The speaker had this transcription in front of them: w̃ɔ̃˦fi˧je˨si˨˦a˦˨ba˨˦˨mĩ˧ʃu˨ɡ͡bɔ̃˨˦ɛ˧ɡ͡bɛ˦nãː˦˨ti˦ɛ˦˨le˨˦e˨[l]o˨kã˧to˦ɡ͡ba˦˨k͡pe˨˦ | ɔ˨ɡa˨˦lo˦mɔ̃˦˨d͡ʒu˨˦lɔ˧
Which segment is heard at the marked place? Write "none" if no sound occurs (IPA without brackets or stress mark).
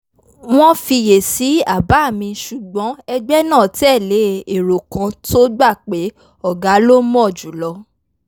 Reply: ɾ